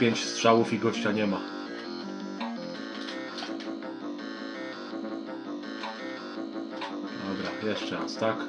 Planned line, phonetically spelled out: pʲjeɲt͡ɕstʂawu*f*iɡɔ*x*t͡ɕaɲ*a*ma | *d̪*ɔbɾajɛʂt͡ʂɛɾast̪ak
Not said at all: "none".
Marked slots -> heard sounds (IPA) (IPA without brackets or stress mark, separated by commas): f, ɕ, ɛ, d̪